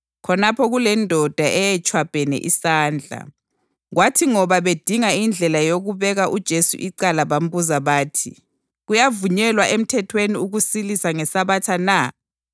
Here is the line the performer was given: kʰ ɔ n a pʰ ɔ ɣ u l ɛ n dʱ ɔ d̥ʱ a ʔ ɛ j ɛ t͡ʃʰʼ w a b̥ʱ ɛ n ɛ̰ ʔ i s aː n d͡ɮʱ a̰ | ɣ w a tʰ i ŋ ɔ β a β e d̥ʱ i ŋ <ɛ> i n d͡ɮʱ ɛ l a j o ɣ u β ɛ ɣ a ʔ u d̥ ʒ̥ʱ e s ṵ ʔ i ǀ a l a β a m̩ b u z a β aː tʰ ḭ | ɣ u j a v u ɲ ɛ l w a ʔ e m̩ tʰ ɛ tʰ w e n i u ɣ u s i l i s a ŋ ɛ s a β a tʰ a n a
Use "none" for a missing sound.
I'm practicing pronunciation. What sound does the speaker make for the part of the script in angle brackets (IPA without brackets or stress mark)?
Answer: a